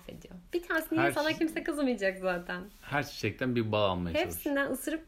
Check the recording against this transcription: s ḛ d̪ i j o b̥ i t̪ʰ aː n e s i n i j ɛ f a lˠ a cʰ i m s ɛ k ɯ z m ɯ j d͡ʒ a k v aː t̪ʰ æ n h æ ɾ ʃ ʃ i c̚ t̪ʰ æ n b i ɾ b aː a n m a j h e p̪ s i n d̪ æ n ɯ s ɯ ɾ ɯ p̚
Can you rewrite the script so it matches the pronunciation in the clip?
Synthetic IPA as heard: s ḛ d̪ i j o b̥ i t̪ʰ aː n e s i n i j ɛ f a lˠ a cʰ i m s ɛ k ɯ z m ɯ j d͡ʒ a k z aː t̪ʰ æ n h æ ɾ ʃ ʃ ɛ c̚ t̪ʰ æ n b i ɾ b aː a n m a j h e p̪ s i n d̪ æ n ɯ s ɯ ɾ ɯ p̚